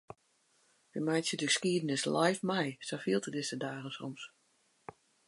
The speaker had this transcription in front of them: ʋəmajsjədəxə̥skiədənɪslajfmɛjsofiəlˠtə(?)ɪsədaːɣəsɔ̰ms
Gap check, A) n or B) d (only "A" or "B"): B